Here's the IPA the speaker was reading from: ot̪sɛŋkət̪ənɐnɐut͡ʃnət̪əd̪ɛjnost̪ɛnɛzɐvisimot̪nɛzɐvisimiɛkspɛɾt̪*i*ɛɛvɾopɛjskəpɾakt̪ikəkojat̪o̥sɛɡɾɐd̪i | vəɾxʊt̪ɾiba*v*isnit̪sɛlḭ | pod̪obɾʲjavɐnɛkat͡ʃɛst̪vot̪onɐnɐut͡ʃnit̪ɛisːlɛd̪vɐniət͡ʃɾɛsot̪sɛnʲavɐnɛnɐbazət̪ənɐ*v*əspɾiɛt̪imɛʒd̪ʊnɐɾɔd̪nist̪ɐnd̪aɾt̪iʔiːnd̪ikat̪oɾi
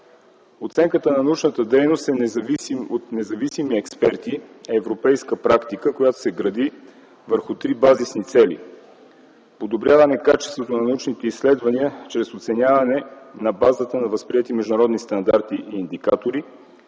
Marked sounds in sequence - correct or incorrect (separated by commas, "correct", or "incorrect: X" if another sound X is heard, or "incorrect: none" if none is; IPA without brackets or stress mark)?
correct, incorrect: z, correct